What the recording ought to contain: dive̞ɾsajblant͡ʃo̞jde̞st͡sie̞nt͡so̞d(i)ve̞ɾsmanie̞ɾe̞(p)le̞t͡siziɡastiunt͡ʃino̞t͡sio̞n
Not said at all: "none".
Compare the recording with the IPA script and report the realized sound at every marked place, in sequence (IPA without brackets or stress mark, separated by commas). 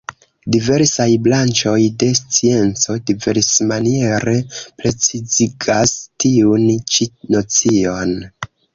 i, p